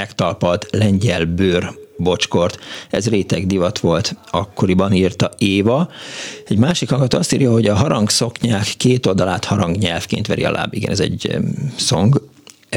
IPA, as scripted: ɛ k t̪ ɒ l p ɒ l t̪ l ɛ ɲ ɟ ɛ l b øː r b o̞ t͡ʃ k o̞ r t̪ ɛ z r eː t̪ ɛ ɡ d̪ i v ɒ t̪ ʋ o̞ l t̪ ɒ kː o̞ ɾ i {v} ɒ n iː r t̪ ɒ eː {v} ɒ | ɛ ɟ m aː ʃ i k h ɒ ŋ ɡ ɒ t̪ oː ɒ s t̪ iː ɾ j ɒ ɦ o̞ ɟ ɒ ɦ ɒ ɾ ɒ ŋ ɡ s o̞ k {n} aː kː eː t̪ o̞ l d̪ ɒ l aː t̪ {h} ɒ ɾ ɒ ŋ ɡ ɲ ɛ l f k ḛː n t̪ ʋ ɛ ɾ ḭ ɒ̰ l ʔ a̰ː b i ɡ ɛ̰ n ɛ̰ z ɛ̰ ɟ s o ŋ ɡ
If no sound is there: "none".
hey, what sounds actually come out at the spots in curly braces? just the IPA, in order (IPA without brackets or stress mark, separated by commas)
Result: b, v, ɲ, h